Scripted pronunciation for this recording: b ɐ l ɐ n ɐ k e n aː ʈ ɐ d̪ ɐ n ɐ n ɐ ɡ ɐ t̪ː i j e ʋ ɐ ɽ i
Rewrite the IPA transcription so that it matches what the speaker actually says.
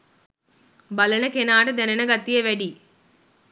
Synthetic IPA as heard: b ɐ l ɐ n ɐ k e n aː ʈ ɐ d̪ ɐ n ɐ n ɐ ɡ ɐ t̪ː i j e ʋ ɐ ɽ i